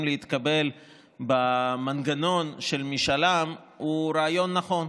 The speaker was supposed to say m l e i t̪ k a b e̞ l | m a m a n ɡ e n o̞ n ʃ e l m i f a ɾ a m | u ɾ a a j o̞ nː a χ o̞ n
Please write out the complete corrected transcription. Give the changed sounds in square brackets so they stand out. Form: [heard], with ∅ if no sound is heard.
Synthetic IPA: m l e i t̪ k a b e̞ l | [b] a m a n ɡ [a] n o̞ n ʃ e l m i [ʃ] a [l] a m | u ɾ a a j o̞ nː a χ o̞ n